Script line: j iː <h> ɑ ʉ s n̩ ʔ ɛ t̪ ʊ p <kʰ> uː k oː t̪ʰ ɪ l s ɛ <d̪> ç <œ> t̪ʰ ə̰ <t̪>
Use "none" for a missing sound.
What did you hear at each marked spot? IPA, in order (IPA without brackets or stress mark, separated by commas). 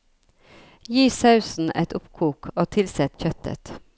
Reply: s, kʰ, t̪, œ, t̪